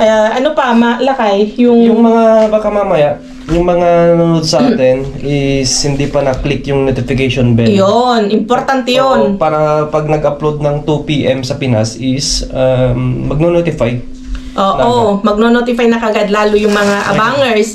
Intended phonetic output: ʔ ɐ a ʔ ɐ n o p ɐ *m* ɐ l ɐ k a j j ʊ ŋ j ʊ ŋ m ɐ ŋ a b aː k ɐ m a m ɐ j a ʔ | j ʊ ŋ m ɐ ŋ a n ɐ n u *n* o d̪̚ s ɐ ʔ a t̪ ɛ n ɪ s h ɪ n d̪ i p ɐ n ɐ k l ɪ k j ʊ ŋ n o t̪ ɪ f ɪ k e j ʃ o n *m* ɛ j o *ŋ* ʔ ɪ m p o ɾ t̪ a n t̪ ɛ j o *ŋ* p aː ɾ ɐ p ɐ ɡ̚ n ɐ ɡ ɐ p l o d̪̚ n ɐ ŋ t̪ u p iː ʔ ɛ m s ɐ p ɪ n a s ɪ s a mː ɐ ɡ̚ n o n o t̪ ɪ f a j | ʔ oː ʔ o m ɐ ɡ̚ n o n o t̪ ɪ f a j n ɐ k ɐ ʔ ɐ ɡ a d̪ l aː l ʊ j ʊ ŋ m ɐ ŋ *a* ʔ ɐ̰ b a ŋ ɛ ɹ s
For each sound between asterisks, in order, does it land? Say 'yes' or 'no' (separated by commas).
yes, yes, no, no, no, yes